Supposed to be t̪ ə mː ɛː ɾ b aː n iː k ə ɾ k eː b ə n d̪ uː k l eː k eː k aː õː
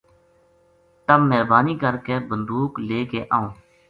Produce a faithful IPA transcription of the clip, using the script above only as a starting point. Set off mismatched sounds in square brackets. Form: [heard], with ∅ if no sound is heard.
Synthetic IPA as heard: t̪ ə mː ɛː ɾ b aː n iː k ə ɾ k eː b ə n d̪ uː k l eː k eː [ʔ] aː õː

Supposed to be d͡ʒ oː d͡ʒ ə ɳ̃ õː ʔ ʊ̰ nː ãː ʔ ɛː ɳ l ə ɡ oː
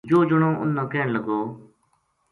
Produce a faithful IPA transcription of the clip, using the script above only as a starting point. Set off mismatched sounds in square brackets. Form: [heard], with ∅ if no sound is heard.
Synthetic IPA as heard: d͡ʒ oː d͡ʒ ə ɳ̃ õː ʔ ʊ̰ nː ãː [k] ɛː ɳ l ə ɡ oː

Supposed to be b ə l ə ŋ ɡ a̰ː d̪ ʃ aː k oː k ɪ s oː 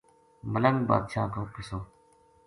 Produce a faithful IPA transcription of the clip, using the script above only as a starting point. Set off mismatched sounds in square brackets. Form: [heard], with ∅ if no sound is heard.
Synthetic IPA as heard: [m] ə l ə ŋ [b] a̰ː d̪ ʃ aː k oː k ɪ s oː

